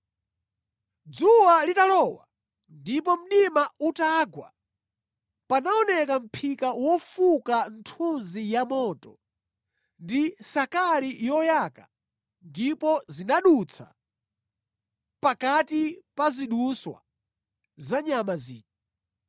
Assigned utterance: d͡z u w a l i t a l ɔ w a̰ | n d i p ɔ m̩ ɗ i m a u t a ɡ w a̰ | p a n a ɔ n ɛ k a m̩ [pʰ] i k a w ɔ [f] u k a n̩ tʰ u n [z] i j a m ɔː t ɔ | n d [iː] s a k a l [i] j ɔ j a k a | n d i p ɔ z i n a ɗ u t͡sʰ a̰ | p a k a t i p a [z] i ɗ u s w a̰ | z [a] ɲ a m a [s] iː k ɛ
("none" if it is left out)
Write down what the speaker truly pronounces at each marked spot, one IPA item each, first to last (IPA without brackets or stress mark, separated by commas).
pʰ, f, z, i, i, z, a, z